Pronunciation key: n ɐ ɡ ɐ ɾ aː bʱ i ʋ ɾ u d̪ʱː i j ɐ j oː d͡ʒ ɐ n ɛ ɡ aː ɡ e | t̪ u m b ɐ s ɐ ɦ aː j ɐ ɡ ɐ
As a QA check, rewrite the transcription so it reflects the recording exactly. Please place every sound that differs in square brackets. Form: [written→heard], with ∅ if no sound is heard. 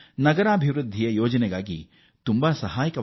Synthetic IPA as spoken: n ɐ ɡ ɐ ɾ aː bʱ i ʋ ɾ u d̪ʱː i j ɐ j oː d͡ʒ ɐ n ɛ ɡ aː ɡ [e→i] | t̪ u m b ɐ s ɐ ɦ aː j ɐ [ɡ→k] ɐ